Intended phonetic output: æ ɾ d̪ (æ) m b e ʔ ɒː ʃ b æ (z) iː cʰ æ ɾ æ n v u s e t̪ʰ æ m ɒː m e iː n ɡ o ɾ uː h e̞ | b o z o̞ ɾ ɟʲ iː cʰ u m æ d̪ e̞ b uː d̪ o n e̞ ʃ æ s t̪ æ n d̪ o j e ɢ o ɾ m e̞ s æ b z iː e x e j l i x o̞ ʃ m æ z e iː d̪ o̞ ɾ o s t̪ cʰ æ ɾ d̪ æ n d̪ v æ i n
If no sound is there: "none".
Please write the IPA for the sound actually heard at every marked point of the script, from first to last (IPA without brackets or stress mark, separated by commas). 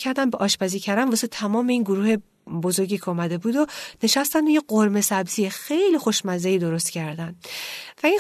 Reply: æ, z